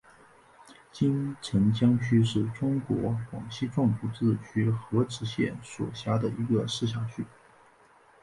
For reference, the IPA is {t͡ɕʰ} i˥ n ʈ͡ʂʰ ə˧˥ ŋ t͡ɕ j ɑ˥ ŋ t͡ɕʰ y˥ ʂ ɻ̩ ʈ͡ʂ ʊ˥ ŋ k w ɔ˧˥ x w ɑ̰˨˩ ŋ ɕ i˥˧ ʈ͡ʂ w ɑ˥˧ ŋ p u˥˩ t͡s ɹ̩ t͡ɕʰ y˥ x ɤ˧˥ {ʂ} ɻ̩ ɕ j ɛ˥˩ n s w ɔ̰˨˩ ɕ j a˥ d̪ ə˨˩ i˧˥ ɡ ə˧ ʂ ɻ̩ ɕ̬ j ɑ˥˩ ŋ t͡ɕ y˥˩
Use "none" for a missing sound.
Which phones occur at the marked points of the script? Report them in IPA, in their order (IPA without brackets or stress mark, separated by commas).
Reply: t͡ɕ, ʈ͡ʂ